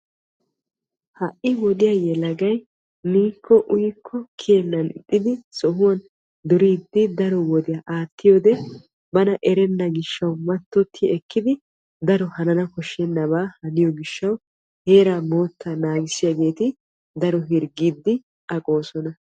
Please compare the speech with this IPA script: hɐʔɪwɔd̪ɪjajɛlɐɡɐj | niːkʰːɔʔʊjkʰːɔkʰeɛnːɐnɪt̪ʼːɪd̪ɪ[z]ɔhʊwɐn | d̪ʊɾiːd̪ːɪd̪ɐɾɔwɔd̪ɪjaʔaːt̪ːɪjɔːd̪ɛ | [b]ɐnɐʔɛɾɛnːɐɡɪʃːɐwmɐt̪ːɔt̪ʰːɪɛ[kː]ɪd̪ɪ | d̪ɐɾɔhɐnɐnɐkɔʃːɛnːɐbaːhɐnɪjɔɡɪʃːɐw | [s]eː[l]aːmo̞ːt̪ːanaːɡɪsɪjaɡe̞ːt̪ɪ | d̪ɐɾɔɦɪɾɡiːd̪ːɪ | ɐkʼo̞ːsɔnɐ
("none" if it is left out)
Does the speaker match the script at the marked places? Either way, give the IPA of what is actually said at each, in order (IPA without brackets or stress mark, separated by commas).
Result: s, b, kː, h, ɾ